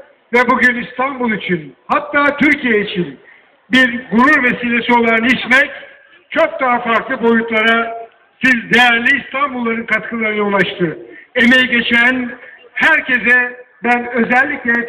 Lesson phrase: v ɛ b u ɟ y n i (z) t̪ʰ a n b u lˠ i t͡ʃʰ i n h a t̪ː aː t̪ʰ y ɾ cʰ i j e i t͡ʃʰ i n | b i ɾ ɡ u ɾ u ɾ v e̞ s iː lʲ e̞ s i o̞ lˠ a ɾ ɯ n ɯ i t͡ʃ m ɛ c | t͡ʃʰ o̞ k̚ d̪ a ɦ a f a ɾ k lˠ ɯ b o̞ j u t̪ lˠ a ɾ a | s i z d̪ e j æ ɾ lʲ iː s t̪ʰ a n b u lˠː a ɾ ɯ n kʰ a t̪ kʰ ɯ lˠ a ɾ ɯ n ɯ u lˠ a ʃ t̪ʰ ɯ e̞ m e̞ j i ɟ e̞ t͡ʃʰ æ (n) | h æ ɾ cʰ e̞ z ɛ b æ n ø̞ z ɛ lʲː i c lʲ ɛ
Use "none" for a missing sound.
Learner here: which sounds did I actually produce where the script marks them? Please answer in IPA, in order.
s, n

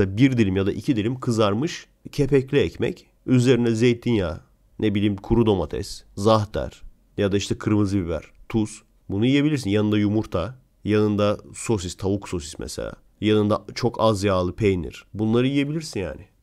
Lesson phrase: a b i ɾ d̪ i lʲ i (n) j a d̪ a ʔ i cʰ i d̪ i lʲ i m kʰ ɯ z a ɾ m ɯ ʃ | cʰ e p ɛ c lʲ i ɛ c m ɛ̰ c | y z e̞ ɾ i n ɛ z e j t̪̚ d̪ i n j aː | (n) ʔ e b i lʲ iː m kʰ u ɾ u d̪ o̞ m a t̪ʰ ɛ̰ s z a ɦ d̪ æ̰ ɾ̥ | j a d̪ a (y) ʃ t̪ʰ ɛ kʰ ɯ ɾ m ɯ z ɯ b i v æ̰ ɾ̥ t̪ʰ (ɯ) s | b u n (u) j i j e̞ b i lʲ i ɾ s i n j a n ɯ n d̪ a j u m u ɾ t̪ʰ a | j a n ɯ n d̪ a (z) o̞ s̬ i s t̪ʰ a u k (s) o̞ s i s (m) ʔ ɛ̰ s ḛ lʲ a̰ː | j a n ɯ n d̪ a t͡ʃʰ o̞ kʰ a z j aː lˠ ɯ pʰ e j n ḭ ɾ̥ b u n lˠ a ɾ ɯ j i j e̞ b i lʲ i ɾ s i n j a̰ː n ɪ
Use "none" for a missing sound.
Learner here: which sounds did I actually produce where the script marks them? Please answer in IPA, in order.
m, n, i, u, u, s, s, m

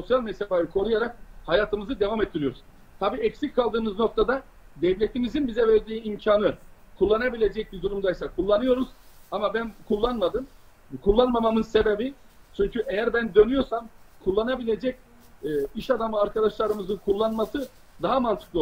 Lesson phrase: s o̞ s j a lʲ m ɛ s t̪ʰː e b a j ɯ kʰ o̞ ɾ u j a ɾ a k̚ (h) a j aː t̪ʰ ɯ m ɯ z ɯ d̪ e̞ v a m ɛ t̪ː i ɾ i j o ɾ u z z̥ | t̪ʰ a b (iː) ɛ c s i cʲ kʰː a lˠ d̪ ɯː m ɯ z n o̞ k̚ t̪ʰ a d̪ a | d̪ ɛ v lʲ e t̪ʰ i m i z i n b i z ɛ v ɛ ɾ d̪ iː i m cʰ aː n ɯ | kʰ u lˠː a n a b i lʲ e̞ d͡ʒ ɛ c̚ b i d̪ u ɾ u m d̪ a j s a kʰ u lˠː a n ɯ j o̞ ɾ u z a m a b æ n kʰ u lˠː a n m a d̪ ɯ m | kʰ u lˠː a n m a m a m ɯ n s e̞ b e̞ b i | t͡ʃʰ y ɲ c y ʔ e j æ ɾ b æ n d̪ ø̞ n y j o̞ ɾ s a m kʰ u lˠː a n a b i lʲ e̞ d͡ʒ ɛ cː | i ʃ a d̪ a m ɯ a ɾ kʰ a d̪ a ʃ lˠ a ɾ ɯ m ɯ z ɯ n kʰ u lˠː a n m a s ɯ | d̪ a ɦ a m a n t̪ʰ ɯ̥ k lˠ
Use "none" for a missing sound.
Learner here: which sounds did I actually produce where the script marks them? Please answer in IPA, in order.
h, iː

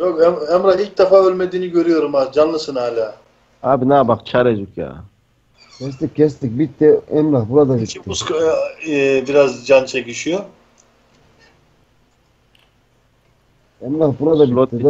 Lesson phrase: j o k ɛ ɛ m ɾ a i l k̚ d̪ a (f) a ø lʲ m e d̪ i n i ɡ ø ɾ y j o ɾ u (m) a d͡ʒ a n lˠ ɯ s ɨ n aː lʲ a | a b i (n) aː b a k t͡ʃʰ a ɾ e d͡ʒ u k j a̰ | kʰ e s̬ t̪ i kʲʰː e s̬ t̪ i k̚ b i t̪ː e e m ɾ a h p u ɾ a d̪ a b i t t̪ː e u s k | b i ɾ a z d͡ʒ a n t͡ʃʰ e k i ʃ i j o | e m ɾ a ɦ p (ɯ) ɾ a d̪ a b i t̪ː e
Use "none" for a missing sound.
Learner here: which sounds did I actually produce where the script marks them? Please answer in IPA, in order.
f, m, n, u

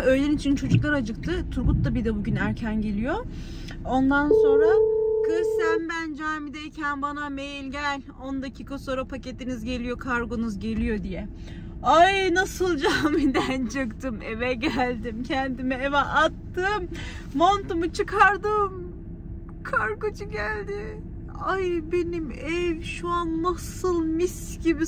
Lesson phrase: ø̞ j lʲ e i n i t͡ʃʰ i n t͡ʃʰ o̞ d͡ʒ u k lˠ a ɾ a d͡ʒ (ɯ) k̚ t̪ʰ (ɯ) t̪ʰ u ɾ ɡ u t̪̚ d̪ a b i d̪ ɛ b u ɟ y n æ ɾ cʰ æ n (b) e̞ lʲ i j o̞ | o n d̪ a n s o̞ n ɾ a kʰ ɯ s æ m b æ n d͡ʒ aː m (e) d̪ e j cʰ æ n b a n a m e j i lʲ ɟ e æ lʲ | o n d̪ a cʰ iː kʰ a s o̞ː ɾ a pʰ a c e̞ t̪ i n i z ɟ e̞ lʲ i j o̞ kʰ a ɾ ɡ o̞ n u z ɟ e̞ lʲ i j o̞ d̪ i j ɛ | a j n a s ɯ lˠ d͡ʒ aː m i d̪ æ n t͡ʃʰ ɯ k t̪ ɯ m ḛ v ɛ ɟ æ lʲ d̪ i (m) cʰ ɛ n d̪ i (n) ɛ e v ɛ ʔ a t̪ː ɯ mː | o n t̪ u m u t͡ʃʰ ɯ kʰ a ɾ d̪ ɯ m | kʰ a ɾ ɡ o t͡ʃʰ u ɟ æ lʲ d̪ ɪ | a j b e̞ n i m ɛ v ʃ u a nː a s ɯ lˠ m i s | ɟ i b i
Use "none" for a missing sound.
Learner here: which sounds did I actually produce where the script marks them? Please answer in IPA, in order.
ɯ, ɯ, ɟ, i, m, m

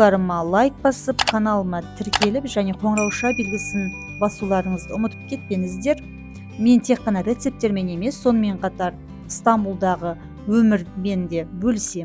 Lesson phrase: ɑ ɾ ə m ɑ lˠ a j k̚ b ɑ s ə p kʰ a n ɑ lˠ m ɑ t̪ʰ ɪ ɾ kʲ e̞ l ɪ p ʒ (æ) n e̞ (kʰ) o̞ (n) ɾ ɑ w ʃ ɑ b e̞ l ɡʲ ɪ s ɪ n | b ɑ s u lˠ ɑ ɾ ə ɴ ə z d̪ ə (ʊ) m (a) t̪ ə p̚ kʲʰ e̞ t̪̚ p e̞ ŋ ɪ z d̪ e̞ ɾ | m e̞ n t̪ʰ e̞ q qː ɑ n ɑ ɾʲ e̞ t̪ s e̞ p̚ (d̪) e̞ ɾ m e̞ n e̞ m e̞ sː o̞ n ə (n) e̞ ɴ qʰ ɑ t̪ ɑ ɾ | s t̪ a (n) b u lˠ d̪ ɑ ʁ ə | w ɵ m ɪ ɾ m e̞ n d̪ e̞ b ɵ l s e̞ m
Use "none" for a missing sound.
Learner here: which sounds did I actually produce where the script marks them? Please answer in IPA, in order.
æ, qʰ, ɴ, ʊ, ə, t̪, m, m

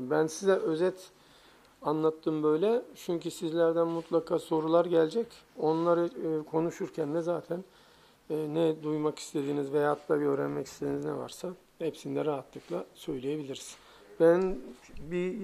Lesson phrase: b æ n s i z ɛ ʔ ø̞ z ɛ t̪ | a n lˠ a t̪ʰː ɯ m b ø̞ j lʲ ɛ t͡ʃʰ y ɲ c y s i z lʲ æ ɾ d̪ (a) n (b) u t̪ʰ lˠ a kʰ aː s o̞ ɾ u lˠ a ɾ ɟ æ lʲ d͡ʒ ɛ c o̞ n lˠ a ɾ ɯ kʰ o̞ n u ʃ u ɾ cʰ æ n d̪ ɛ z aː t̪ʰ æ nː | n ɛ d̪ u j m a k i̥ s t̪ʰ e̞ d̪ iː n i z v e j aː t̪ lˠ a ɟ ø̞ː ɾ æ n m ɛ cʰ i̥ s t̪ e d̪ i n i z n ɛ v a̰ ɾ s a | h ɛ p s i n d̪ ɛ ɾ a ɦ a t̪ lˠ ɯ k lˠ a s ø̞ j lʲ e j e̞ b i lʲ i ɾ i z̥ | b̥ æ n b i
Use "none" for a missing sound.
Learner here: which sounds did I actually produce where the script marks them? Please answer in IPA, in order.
æ, m

